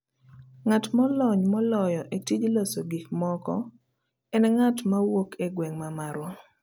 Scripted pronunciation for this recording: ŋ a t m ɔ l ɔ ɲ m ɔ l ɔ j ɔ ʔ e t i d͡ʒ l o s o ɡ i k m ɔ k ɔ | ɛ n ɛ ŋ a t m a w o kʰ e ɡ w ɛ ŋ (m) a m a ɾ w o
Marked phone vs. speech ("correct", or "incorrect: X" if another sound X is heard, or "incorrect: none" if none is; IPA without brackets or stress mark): correct